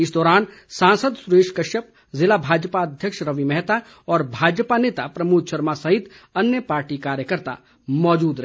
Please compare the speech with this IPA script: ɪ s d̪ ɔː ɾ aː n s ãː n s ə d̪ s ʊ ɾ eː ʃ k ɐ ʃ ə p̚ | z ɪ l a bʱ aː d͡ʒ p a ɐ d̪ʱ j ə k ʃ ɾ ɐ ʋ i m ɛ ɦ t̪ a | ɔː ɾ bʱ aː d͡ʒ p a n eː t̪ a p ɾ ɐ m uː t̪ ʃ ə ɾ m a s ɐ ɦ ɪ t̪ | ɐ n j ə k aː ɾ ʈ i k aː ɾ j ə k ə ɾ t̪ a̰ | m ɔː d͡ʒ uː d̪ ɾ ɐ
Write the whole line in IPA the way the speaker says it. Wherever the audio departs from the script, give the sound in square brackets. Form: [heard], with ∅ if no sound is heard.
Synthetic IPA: ɪ s d̪ ɔː ɾ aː n s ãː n s ə d̪ s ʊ ɾ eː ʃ k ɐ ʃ ə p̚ | z ɪ l a bʱ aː d͡ʒ p a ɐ d̪ʱ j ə k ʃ ɾ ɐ ʋ i m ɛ ɦ t̪ a | ɔː ɾ bʱ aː d͡ʒ p a n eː t̪ a p ɾ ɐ m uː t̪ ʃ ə ɾ m a s ɐ ɦ ɪ t̪ | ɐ n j ə [p] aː ɾ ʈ i k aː ɾ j ə k ə ɾ t̪ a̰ | m ɔː d͡ʒ uː d̪ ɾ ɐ